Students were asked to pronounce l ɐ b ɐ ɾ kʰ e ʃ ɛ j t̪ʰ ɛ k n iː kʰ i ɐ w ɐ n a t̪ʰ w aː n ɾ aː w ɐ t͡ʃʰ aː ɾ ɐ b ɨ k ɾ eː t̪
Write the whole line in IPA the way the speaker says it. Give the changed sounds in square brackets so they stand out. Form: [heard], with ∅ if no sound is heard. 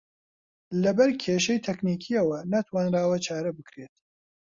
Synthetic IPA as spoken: l ɐ b ɐ ɾ kʰ e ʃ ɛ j t̪ʰ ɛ k n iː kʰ i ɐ w ɐ n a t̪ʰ w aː n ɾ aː w ɐ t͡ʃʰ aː ɾ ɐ b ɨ k ɾ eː t̪